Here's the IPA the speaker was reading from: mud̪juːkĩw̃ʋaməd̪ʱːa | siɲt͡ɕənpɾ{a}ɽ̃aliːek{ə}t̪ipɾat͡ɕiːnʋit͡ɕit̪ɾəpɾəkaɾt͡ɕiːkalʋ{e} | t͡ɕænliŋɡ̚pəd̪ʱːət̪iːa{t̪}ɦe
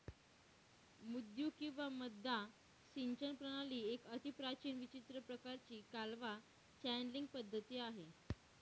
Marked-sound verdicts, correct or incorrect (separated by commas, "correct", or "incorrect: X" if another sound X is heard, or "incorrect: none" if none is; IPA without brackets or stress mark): incorrect: ə, correct, incorrect: a, incorrect: none